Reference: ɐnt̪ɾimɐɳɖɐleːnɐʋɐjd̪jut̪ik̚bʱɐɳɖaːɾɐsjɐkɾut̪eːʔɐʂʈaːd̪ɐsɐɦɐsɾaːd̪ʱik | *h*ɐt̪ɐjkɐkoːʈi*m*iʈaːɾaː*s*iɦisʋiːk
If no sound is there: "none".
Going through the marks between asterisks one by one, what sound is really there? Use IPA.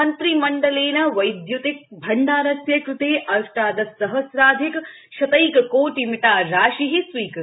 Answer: ʃ, m, ʃ

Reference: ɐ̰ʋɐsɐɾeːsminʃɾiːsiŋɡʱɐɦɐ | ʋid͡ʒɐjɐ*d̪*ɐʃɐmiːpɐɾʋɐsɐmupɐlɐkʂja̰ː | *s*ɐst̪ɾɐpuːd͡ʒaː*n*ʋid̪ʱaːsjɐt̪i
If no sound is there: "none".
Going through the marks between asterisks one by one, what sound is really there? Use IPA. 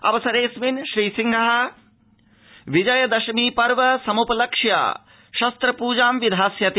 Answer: d̪, ʃ, m

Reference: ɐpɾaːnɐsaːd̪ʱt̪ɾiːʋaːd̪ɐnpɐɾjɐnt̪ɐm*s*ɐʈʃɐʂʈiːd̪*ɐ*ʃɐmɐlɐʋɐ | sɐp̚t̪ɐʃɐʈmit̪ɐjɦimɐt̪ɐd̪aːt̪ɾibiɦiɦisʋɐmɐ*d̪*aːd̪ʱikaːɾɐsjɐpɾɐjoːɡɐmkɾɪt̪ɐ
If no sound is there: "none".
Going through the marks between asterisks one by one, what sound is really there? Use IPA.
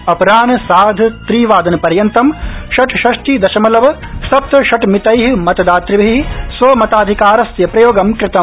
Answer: ʃ, ɐ, t̪

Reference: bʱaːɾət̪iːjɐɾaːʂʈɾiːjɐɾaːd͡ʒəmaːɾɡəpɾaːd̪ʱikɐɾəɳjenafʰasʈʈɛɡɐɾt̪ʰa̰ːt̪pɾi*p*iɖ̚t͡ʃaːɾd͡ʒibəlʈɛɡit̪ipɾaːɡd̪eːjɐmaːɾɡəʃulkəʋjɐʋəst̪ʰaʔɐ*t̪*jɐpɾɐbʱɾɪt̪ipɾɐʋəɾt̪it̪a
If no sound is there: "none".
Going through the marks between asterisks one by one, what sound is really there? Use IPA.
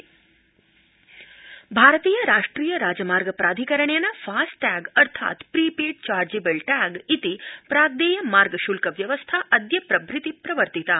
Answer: p, d̪

